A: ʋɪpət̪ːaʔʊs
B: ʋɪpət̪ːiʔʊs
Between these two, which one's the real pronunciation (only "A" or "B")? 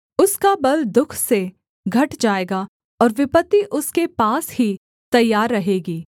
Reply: B